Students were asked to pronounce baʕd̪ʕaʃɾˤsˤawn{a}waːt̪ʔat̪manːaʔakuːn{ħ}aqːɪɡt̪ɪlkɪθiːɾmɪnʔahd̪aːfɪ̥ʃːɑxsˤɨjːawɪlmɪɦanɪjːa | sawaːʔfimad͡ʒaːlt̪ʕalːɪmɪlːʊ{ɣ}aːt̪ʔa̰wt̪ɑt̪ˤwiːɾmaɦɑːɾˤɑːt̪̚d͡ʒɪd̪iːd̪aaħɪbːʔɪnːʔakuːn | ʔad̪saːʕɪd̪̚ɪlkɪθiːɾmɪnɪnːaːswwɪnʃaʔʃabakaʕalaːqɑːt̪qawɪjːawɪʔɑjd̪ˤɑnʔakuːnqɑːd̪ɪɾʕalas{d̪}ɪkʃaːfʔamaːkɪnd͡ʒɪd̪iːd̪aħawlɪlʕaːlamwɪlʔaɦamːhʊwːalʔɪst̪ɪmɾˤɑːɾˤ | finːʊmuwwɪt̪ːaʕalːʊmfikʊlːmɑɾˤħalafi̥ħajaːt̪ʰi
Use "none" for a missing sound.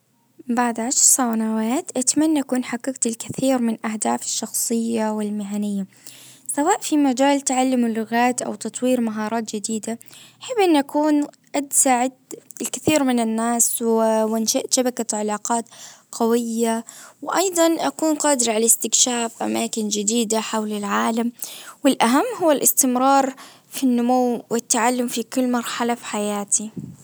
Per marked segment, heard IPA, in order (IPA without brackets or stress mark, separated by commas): a, ħ, ɣ, t̪